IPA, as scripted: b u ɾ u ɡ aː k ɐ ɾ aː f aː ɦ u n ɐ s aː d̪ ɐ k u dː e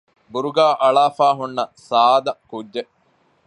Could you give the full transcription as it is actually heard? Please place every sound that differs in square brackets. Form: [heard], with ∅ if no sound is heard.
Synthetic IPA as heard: b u ɾ u ɡ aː [ʔ] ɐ [ɭ] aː f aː ɦ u [nː] ɐ s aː d̪ ɐ k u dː e